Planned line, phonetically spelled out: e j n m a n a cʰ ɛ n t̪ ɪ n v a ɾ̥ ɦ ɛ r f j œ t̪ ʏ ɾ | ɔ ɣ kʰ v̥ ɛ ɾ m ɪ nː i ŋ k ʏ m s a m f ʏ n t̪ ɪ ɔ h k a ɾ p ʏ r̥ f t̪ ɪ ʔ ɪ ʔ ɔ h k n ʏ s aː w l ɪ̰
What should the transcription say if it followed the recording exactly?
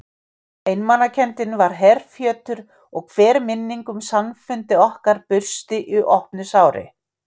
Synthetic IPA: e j n m a n a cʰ ɛ n t̪ ɪ n v a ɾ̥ ɦ ɛ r f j œː t̪ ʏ ɾ | ɔ ɣ kʰ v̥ ɛː ɾ m ɪ nː i ŋ k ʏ m s a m f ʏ n t̪ ɪ ɔ h k a ɾ p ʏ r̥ s t̪ ɪ ʔ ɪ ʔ ɔ h p n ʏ s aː w ɾ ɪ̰